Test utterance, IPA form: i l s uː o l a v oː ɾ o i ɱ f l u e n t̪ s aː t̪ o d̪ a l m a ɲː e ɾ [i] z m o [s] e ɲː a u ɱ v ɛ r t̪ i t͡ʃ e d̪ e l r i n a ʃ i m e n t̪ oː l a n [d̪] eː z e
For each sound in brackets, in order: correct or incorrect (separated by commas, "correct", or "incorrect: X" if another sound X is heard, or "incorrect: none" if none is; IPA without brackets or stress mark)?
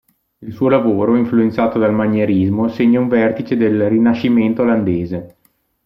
correct, correct, correct